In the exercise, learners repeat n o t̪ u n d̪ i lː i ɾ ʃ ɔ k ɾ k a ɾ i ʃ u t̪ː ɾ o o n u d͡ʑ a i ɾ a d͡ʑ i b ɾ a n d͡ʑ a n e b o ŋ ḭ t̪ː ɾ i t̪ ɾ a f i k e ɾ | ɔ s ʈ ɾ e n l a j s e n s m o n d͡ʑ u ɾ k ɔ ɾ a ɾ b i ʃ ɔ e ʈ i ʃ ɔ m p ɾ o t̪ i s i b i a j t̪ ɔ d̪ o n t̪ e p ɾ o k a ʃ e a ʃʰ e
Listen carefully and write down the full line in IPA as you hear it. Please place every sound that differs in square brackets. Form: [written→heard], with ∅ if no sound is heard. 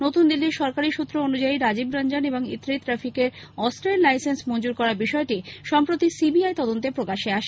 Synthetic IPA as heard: n o t̪ u n d̪ i lː i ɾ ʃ ɔ [k→∅] ɾ k a ɾ i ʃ u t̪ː ɾ o o n u d͡ʑ a i ɾ a d͡ʑ i b ɾ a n d͡ʑ a n e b o ŋ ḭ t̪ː ɾ i t̪ ɾ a f i k e ɾ | ɔ s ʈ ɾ e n l a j s e n s m o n d͡ʑ u ɾ k ɔ ɾ a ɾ b i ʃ ɔ e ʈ i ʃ ɔ m p ɾ o t̪ i s i b i a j t̪ ɔ d̪ o n t̪ e p ɾ o k a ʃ e a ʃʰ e